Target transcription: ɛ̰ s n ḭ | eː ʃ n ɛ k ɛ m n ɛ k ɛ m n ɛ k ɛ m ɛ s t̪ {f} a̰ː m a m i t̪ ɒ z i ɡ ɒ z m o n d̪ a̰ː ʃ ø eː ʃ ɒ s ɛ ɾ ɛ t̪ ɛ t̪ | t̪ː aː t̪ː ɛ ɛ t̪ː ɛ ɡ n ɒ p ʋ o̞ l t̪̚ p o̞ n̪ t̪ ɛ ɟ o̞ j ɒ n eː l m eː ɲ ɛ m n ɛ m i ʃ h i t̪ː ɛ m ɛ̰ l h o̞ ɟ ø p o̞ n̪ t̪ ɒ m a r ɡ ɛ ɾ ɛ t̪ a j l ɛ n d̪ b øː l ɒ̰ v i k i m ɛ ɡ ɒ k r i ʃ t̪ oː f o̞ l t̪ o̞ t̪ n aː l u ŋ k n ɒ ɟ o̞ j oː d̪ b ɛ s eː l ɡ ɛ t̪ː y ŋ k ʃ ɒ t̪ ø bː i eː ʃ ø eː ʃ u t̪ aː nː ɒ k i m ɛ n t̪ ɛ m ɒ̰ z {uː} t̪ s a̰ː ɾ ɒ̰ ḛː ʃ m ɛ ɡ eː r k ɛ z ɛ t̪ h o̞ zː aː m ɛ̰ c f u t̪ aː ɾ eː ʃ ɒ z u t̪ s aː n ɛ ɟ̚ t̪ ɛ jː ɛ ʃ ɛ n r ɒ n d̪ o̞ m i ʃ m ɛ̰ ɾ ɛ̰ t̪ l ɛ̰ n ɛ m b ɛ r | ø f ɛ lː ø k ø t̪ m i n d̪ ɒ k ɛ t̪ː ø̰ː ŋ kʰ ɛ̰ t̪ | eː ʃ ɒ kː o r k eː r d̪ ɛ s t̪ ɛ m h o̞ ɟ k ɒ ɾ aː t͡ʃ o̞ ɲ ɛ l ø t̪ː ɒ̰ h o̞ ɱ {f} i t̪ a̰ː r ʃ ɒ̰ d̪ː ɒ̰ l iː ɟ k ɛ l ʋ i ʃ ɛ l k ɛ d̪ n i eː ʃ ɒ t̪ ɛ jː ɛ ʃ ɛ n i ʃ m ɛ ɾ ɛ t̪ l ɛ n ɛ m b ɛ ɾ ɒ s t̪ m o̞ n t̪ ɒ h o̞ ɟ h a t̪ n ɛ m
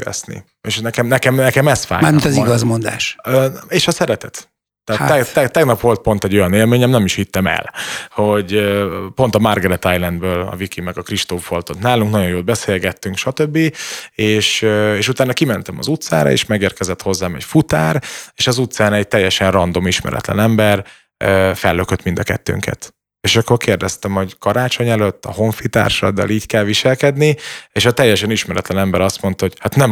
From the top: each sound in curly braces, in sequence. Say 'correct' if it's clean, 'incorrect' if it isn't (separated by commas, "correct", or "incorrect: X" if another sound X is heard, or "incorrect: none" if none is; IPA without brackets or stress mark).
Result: correct, incorrect: u, correct